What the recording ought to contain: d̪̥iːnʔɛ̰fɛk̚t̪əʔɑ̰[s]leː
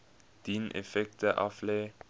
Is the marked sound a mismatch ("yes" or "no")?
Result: yes